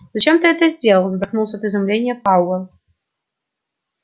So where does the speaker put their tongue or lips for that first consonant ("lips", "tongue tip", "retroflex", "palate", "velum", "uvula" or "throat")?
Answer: tongue tip